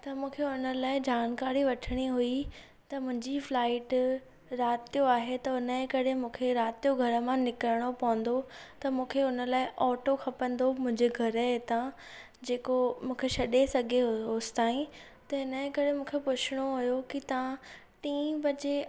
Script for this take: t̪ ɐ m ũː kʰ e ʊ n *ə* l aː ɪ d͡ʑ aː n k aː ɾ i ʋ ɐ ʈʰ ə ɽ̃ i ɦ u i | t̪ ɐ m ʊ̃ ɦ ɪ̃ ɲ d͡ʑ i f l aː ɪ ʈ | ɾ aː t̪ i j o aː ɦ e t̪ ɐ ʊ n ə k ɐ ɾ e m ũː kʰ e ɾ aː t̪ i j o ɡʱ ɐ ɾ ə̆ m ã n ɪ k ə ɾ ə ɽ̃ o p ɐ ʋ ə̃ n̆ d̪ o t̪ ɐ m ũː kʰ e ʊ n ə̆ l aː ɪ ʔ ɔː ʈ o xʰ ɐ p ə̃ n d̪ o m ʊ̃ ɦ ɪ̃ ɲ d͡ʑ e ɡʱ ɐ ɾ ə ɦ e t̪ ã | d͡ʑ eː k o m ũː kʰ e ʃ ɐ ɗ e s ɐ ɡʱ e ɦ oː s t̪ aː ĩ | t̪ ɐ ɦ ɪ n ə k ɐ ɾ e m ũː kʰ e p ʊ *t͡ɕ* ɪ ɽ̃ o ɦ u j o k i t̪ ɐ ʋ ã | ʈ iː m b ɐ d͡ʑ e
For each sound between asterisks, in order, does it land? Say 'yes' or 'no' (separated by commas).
yes, no